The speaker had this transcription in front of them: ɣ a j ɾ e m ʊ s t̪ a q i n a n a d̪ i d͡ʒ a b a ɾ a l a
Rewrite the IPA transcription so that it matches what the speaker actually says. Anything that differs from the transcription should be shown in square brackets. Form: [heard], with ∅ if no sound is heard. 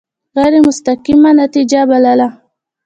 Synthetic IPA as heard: ɣ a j ɾ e m ʊ s t̪ a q i [m] a n a [t̪] i d͡ʒ a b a [l] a l a